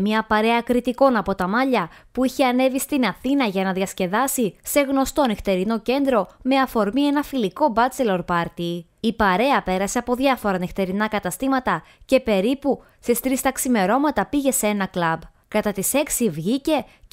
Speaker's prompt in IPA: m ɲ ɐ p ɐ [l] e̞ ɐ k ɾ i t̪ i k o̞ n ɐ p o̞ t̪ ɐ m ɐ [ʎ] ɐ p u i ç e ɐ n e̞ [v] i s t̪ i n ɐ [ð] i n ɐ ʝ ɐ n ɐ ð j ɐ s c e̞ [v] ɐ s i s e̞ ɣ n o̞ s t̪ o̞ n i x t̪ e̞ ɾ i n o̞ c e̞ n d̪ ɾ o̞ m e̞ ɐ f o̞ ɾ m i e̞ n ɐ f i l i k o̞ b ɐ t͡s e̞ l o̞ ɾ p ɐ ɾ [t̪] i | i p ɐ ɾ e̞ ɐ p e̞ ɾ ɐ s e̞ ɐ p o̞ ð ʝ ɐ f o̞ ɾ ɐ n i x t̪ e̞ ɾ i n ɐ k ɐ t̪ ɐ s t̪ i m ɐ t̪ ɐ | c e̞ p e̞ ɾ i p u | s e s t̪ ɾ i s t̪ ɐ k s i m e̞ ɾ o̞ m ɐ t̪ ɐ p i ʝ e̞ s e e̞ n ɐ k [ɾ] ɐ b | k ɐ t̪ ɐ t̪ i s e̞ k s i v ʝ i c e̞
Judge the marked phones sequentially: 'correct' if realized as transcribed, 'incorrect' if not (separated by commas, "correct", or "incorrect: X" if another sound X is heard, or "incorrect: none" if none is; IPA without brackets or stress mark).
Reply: incorrect: ɾ, correct, correct, incorrect: θ, incorrect: ð, correct, incorrect: l